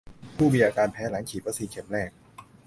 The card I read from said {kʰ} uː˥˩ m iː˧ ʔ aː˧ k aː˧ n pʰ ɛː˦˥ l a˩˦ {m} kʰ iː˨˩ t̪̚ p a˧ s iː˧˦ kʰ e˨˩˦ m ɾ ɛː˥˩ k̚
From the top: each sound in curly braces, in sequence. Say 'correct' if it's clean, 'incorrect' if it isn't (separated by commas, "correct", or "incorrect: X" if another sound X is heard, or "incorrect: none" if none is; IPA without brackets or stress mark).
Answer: incorrect: pʰ, incorrect: ŋ